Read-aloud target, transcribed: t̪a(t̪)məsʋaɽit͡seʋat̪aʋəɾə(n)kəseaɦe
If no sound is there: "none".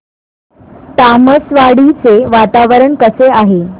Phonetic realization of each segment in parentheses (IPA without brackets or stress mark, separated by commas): none, ɳ